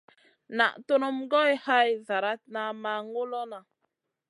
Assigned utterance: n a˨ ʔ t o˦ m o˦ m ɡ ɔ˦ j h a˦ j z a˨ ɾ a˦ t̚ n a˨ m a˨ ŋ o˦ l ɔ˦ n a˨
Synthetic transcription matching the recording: n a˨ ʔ t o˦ n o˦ m ɡ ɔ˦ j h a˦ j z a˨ ɾ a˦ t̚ n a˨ m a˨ ŋ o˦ l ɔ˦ n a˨